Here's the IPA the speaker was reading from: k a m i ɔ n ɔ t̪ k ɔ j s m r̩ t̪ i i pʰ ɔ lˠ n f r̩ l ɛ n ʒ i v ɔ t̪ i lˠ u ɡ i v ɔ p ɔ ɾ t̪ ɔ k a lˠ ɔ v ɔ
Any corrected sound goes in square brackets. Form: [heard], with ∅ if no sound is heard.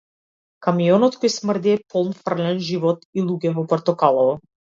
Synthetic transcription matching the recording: k a m i ɔ n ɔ t̪ k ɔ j s m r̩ [d̪] i [ɛ] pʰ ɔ lˠ n f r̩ l ɛ n ʒ i v ɔ t̪ i lˠ u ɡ [ɛ] v ɔ p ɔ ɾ t̪ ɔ k a lˠ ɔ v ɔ